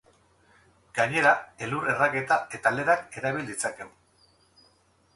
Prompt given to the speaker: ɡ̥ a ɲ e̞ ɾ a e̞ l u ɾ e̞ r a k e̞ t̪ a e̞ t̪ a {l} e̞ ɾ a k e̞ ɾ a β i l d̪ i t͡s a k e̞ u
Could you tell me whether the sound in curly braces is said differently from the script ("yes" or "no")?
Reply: no